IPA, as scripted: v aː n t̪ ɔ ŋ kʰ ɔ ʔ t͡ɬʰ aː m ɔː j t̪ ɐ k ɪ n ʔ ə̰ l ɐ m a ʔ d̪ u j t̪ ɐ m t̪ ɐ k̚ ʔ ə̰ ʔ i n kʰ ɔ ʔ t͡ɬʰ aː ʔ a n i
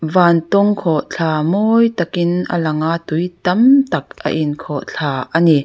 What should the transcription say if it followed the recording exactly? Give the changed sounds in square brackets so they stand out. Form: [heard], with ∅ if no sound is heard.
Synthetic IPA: v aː n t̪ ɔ ŋ kʰ ɔ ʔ t͡ɬʰ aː m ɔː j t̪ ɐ k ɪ n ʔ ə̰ l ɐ [ŋ] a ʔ [t̪] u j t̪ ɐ m t̪ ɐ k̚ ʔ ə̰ ʔ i n kʰ ɔ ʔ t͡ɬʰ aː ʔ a n i